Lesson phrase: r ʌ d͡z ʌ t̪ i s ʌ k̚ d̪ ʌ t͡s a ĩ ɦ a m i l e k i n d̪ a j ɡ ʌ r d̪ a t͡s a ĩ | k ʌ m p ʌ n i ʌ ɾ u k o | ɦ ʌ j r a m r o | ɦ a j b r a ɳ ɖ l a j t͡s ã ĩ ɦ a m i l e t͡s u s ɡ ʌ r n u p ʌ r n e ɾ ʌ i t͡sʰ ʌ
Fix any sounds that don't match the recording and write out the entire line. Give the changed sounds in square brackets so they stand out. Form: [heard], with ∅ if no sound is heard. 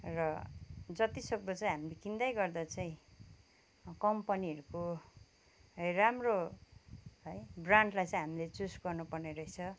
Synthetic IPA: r ʌ d͡z ʌ t̪ i s ʌ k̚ d̪ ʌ t͡s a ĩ ɦ a m i l e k i n d̪ a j ɡ ʌ r d̪ a t͡s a ĩ | k ʌ m p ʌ n i ʌ ɾ u k o | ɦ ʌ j r a m r o | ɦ [ʌ] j b r a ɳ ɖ l a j t͡s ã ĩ ɦ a m i l e t͡s u s ɡ ʌ r n u p ʌ r n e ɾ ʌ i t͡sʰ ʌ